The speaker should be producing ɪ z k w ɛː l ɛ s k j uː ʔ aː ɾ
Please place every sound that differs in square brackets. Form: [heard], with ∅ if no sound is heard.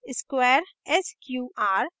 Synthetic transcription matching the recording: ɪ [s] k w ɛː [ɾ] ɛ s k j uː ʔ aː ɾ